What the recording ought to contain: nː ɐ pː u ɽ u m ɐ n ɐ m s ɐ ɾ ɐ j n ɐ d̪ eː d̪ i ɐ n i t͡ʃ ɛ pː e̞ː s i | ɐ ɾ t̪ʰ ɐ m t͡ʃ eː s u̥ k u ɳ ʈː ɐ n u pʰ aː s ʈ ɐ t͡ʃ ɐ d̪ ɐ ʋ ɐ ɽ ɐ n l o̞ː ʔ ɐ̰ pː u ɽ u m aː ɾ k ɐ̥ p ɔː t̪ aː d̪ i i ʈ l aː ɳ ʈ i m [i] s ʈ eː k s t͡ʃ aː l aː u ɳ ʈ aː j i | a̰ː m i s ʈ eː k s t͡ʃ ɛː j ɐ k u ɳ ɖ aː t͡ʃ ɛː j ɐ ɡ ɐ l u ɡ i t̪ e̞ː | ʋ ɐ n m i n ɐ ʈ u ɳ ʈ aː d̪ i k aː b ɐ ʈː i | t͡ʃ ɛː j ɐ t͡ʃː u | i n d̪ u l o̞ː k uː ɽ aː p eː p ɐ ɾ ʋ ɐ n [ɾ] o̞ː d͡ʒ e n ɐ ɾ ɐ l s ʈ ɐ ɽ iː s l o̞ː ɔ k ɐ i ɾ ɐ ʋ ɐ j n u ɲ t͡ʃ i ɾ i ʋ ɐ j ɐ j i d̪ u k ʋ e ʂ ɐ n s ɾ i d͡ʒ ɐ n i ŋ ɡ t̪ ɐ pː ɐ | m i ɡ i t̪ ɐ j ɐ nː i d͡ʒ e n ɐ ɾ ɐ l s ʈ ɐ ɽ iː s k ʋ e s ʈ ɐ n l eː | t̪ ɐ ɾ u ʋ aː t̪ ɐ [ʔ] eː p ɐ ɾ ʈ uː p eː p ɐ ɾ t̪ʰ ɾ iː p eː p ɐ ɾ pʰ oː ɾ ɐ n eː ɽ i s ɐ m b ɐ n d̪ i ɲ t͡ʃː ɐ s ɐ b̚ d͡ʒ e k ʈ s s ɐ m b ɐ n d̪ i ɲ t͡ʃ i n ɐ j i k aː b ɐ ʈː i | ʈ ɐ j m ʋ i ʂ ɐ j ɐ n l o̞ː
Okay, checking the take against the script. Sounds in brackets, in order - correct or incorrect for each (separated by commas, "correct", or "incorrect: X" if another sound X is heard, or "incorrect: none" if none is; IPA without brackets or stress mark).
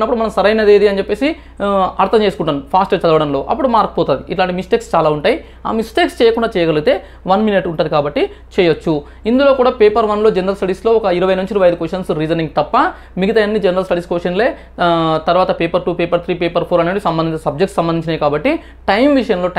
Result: correct, incorrect: l, incorrect: p